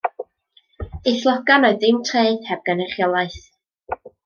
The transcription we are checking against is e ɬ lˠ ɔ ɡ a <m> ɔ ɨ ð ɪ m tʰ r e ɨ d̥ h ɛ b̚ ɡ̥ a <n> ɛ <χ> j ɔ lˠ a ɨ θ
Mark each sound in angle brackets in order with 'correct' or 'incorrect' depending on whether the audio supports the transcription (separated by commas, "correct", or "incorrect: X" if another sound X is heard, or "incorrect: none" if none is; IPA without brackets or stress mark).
incorrect: n, correct, correct